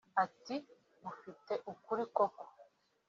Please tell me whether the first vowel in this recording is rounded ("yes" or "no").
no